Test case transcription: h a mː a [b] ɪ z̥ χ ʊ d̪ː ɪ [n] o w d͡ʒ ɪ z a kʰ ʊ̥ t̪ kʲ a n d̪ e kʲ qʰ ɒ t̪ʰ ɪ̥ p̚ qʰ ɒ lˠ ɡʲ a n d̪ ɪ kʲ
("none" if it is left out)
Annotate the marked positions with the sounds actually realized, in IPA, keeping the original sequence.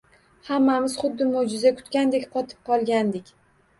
m, m

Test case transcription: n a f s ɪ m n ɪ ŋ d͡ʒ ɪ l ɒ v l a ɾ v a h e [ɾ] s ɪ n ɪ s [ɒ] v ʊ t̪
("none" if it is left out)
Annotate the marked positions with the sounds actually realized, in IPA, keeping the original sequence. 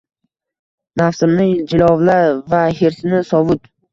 ɾ, ɒ

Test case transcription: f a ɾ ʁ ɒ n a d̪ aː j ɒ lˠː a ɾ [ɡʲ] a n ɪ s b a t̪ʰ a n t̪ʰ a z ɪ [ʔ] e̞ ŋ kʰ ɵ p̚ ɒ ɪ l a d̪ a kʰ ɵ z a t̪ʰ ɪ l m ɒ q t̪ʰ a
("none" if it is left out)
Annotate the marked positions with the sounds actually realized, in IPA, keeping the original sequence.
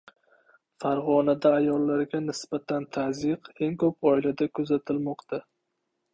ɡʲ, q

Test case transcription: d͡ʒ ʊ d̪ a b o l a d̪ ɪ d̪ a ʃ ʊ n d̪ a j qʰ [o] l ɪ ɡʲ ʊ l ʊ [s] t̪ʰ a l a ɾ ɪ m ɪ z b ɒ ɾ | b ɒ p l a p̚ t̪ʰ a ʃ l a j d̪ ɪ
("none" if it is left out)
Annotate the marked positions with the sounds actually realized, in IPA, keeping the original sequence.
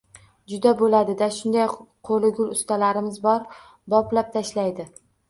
o, s

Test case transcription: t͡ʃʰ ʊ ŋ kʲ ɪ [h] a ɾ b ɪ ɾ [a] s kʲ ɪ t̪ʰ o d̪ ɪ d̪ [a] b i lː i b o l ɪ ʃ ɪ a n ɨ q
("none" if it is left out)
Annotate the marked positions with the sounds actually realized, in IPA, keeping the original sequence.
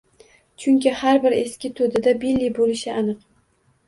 h, e, a

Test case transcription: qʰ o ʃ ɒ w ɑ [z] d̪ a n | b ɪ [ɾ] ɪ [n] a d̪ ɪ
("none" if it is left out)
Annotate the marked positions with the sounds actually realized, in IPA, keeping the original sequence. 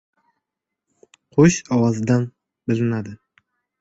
z, l, n

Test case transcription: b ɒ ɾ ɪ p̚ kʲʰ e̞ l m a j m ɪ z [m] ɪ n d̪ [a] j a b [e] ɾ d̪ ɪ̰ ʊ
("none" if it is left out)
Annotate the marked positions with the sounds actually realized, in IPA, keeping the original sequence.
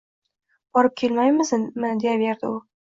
m, e, e

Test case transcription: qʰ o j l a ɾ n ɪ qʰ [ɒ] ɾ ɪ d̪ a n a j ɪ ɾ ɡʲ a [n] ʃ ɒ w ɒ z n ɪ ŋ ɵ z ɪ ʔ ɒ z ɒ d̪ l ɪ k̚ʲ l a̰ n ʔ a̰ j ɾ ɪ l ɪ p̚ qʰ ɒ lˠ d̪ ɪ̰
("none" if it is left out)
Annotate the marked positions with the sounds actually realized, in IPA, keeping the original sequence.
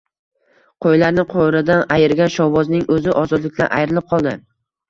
o, n

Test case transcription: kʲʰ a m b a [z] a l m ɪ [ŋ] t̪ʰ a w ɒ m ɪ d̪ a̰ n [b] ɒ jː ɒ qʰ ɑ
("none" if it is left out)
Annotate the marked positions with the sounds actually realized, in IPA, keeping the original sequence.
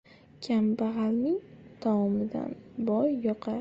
ʁ, ŋ, b

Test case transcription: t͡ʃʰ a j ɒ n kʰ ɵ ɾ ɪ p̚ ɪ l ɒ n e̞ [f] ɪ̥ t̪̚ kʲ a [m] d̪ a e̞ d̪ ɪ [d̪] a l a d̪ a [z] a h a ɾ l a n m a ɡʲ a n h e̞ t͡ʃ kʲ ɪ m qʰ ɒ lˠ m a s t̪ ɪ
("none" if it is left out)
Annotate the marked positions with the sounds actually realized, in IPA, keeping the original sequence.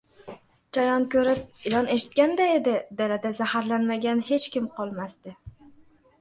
ʃ, n, d̪, z

